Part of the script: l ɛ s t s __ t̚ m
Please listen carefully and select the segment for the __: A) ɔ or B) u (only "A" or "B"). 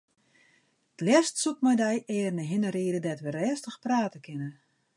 B